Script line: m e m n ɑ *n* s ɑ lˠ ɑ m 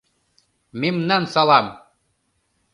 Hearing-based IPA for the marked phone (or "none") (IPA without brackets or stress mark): n